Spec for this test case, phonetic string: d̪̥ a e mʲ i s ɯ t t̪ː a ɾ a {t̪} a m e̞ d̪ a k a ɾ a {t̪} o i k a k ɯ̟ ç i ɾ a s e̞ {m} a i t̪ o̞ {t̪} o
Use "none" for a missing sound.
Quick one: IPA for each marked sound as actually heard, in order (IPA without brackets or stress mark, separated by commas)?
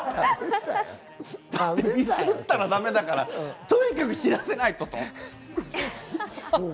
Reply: d̪, t̪, n, t̪